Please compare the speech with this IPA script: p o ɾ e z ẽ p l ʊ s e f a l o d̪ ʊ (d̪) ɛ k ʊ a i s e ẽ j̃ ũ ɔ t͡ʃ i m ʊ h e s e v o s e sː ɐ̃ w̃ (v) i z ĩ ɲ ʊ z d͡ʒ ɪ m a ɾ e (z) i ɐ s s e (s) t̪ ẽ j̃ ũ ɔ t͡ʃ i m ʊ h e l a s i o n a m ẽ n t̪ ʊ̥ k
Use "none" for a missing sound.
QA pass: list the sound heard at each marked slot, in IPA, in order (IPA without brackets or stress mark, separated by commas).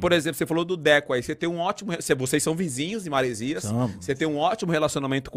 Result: d̪, v, z, none